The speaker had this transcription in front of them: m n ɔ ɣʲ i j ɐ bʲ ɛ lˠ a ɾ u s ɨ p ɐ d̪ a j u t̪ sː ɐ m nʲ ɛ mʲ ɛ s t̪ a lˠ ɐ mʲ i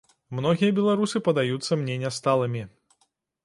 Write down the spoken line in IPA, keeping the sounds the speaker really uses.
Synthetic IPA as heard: m n ɔ ɣʲ i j ɐ bʲ ɛ lˠ a ɾ u s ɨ p ɐ d̪ a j u t̪ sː ɐ m nʲ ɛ nʲ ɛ s t̪ a lˠ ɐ mʲ i

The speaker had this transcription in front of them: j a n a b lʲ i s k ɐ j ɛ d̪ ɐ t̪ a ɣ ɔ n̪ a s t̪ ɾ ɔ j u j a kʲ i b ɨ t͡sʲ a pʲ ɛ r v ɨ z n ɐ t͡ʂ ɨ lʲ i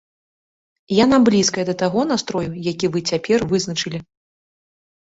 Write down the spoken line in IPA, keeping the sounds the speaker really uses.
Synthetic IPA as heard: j a n a b lʲ i s k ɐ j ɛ d̪ ɐ t̪ a ɣ ɔ n̪ a s t̪ ɾ ɔ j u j a kʲ i v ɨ t͡sʲ a pʲ ɛ r v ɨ z n ɐ t͡ʂ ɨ lʲ i

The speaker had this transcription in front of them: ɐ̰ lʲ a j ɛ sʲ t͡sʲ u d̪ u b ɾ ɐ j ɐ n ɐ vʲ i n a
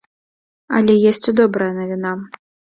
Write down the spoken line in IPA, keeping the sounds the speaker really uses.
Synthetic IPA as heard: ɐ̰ lʲ ɛ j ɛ sʲ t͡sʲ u d̪ ɔ b ɾ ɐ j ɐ n ɐ vʲ i n a

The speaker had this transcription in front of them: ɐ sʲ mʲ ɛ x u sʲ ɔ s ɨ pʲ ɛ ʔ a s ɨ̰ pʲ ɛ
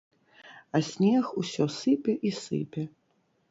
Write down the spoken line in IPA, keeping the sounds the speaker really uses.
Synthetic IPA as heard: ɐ sʲ nʲ ɛ x u sʲ ɔ s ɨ pʲ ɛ ʔ i s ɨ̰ pʲ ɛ

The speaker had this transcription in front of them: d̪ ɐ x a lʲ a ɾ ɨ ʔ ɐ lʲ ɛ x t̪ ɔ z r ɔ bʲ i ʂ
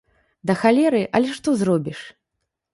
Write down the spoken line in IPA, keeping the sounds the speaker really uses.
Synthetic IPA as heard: d̪ ɐ x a lʲ ɛ ɾ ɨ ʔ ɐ lʲ ɛ ʂ t̪ ɔ z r ɔ bʲ i ʂ

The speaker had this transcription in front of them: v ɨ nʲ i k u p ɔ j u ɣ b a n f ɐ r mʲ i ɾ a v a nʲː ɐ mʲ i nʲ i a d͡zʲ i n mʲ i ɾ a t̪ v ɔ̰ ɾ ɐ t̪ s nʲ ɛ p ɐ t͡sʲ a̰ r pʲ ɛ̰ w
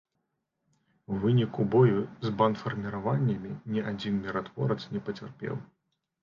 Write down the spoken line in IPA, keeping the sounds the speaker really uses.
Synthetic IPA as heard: v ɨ nʲ i k u b ɔ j u z b a n f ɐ r mʲ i ɾ a v a nʲː ɐ mʲ i nʲ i a d͡zʲ i n mʲ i ɾ a t̪ v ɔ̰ ɾ ɐ t̪ s nʲ ɛ p ɐ t͡sʲ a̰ r pʲ ɛ̰ w

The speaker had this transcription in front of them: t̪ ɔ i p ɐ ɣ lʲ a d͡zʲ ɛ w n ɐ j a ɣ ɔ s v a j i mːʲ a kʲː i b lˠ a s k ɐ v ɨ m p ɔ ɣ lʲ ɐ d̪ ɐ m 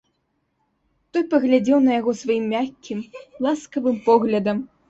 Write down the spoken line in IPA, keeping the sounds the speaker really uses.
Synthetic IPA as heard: t̪ ɔ j p ɐ ɣ lʲ a d͡zʲ ɛ w n ɐ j a ɣ ɔ s v a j i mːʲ a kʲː i m lˠ a s k ɐ v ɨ m p ɔ ɣ lʲ ɐ d̪ ɐ m

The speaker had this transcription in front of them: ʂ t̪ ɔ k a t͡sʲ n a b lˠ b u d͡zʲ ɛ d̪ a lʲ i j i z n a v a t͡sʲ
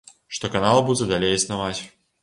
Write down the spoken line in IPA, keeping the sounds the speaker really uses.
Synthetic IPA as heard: ʂ t̪ ɔ k a n a lˠ b u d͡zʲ ɛ d̪ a lʲ e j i s n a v a t͡sʲ

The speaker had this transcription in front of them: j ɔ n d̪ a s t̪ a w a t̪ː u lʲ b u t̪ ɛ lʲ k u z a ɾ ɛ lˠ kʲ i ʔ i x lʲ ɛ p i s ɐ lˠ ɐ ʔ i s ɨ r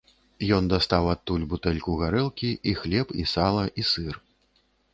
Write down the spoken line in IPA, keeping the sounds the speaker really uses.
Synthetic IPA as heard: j ɔ n d̪ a s t̪ a w a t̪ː u lʲ b u t̪ ɛ lʲ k u ɣ a ɾ ɛ lˠ kʲ i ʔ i x lʲ ɛ p i s a lˠ ɐ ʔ i s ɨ r

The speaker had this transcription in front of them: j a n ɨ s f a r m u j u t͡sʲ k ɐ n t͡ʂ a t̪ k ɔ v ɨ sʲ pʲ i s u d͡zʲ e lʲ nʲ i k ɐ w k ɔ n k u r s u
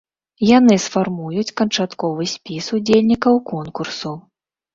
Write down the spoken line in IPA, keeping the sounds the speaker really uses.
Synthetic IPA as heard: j a n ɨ s f a r m u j u t͡sʲ k ɐ n t͡ʂ a t̪ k ɔ v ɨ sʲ pʲ i s u d͡zʲ e lʲ nʲ i k ɐ w k ɔ n k u r s u

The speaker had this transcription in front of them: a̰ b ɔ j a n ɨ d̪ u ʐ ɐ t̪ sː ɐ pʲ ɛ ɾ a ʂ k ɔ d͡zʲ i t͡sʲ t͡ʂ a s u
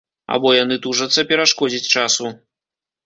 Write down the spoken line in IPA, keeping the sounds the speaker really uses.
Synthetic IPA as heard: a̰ b ɔ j a n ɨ t̪ u ʐ ɐ t̪ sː ɐ pʲ ɛ ɾ a ʂ k ɔ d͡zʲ i t͡sʲ t͡ʂ a s u

